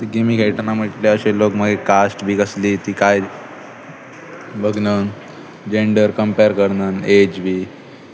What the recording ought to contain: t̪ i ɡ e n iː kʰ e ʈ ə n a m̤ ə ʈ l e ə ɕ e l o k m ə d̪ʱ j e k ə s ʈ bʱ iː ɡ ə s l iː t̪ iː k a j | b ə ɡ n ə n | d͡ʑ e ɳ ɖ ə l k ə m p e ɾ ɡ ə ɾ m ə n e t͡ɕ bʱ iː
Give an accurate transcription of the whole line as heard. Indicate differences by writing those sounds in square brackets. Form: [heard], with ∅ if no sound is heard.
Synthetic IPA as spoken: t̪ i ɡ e [m] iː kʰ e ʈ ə n a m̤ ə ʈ l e ə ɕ e l o k m ə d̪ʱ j e k [a] s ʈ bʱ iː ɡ ə s l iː t̪ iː k a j | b ə ɡ n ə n | d͡ʑ e ɳ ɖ ə [ɾ] k ə m p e ɾ [k] ə ɾ [n] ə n e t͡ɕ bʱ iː